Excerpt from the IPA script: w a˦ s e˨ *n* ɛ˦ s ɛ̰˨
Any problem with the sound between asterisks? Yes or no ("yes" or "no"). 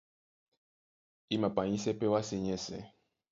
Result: yes